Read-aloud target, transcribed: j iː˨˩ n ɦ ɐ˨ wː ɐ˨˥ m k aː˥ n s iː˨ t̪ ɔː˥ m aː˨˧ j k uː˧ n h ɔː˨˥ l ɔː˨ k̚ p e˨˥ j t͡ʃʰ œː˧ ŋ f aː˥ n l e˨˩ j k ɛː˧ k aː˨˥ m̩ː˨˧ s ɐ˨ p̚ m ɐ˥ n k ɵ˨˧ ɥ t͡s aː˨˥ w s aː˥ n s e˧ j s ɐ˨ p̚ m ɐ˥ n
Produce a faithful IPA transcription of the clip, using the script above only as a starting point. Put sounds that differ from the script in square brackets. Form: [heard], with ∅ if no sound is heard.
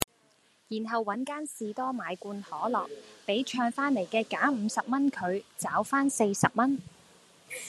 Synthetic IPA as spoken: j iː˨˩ n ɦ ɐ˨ wː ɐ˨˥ [n] k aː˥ n s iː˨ t̪ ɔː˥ m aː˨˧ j k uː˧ n h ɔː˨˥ l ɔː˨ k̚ p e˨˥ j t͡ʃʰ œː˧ ŋ f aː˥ n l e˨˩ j k ɛː˧ k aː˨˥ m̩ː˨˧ s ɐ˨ p̚ m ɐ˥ n [kʰ] ɵ˨˧ ɥ t͡s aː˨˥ w [f] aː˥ n s e˧ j s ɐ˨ p̚ m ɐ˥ n